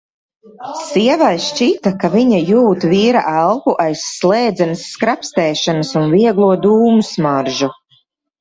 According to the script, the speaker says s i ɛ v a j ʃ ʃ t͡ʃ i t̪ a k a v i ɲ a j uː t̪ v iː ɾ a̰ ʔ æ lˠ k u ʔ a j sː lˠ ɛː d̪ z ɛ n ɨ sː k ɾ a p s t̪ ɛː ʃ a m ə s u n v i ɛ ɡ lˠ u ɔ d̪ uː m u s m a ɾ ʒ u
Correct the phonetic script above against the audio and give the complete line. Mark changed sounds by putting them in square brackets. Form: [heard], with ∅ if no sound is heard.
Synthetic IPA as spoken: s i ɛ v a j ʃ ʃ t͡ʃ i t̪ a k a v i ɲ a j uː t̪ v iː ɾ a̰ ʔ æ lˠ k u ʔ a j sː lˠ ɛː d̪ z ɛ n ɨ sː k ɾ a p s t̪ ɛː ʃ a [n] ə s u n v i ɛ ɡ lˠ u ɔ d̪ uː m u s m a ɾ ʒ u